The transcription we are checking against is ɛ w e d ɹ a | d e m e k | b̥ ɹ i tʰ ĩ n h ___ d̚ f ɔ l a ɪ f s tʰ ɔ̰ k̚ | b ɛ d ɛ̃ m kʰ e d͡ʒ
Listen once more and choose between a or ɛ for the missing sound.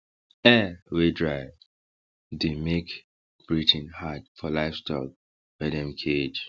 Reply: a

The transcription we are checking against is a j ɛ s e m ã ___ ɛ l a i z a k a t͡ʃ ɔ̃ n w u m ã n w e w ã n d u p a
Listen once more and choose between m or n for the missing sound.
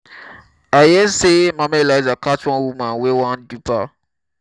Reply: m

